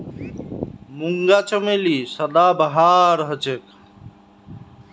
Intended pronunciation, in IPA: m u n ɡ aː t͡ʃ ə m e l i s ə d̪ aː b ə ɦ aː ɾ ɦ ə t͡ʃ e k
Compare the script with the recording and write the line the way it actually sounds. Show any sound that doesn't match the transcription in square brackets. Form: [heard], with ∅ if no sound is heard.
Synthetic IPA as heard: m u [ŋ] ɡ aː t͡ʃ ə m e l i s ə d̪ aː b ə ɦ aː ɾ ɦ ə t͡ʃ e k